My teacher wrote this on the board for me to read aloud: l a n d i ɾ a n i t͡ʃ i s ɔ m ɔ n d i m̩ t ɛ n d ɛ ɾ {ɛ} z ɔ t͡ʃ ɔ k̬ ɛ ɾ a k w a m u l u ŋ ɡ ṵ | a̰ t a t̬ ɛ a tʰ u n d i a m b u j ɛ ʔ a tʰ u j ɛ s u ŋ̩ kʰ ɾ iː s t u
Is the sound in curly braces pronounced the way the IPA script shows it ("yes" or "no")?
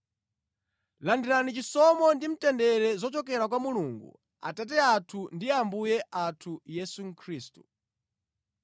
yes